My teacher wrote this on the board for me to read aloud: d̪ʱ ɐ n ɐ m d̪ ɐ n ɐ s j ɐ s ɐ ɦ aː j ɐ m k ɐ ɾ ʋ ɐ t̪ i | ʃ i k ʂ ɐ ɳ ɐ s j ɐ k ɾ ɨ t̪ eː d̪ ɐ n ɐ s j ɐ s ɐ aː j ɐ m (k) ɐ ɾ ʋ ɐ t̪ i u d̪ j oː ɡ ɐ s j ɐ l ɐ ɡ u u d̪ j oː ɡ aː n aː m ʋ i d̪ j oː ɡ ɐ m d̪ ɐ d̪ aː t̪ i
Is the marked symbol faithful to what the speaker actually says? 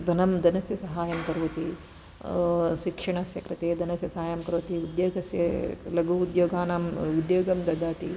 yes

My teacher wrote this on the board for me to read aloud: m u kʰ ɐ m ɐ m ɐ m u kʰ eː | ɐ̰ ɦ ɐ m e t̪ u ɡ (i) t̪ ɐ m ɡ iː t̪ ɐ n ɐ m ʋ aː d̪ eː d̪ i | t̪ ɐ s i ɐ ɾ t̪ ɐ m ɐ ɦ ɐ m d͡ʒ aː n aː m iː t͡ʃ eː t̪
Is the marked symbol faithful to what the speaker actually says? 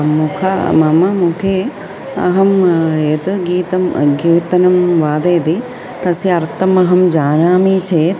no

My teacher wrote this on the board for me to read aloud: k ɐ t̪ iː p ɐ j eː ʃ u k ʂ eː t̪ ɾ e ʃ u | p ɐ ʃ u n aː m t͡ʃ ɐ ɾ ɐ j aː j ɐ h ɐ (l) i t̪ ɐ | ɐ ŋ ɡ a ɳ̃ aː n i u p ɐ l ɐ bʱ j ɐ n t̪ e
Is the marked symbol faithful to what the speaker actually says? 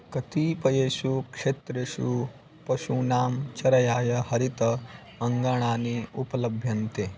no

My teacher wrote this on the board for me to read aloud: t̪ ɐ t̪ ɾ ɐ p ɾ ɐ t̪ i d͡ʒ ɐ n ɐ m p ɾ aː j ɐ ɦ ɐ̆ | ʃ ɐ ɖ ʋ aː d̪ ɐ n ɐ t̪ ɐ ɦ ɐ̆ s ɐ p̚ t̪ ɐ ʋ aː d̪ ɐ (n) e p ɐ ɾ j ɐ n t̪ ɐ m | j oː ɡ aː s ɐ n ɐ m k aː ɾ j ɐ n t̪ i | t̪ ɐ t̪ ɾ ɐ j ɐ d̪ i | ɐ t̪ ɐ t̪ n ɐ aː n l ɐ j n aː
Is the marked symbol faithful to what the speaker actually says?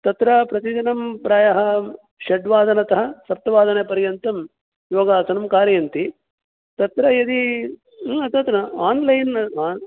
yes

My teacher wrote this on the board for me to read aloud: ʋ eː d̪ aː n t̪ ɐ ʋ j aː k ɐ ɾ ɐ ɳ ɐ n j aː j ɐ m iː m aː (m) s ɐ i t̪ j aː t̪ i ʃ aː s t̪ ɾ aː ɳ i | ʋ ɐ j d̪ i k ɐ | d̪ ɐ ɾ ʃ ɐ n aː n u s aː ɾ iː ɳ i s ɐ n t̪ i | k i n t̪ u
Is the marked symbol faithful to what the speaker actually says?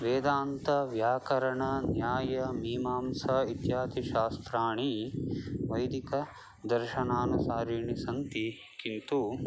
yes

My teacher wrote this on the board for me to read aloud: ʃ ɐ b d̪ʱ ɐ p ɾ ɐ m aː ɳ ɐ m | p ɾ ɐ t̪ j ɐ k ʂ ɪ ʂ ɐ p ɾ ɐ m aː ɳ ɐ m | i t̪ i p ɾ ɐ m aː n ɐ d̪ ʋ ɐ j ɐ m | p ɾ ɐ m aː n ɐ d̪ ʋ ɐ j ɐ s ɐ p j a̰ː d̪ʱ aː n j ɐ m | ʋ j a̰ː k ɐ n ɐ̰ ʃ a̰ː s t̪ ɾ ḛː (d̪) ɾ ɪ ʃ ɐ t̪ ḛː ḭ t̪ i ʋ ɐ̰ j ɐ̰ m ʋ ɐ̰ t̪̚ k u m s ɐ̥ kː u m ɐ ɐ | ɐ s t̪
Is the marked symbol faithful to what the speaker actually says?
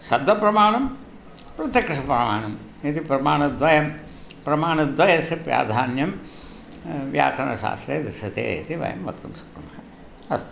yes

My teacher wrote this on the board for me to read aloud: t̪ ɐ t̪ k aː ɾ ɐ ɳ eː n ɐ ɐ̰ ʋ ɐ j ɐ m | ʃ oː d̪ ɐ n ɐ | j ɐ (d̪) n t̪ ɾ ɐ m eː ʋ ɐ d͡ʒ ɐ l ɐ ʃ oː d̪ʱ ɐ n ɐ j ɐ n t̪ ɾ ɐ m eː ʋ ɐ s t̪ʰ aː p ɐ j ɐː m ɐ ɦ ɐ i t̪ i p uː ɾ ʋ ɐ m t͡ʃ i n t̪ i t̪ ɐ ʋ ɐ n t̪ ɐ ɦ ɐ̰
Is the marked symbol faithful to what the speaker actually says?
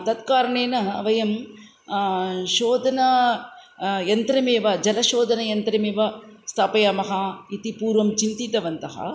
no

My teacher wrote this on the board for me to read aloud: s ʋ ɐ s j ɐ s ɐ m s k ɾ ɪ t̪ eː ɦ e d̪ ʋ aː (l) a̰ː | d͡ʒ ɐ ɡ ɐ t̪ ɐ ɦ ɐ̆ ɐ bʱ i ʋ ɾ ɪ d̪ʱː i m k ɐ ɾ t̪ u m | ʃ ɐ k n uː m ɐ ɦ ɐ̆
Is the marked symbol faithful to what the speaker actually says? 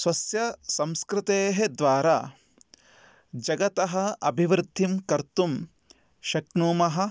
no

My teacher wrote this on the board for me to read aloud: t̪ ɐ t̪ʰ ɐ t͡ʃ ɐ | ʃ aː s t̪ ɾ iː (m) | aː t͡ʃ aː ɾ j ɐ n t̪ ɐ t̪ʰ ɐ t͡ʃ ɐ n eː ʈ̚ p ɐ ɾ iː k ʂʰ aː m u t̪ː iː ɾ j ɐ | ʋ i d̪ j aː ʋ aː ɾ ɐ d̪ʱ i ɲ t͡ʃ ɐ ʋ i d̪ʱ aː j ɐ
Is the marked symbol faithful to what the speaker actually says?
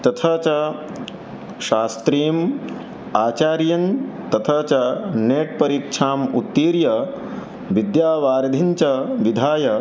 yes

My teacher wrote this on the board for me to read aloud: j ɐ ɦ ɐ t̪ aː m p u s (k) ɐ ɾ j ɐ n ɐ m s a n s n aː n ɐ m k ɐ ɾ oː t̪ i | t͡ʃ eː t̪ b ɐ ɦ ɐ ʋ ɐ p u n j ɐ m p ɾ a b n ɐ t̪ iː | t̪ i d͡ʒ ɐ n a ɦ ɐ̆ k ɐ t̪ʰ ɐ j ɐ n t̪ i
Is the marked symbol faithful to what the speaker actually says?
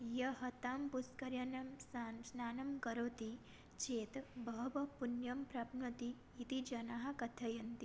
yes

